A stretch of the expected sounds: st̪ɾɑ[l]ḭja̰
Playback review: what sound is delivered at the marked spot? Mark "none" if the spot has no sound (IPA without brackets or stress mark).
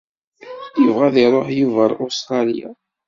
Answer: l